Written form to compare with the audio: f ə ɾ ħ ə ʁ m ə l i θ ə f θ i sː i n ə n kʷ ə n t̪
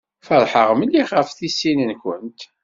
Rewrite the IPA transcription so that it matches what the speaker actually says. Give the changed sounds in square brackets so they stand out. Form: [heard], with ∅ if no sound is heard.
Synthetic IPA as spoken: f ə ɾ ħ ə ʁ m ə l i [χ] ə f θ i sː i n ə n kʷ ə n t̪

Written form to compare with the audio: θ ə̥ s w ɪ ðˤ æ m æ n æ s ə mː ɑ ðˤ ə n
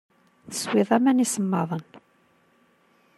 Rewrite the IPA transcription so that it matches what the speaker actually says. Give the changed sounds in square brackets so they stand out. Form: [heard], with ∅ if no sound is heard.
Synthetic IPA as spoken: θ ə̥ s w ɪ ðˤ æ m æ n [i] s ə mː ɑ ðˤ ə n

